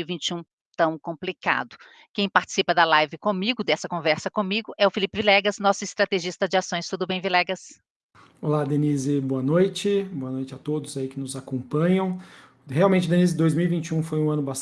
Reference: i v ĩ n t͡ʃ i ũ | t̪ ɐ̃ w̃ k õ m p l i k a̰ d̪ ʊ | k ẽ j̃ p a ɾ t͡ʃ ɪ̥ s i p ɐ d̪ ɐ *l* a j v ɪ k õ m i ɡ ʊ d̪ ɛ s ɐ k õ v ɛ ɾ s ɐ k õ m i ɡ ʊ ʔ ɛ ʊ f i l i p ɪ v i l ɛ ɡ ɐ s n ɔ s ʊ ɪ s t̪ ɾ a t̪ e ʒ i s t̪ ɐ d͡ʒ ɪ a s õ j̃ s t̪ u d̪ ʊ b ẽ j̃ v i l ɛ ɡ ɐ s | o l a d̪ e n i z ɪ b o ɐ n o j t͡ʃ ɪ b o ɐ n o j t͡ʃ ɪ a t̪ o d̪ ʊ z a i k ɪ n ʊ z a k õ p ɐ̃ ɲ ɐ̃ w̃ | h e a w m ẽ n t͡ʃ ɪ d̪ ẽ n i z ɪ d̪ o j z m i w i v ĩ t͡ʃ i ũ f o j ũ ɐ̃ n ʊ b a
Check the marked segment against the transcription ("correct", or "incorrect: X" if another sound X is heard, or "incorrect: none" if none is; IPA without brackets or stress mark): correct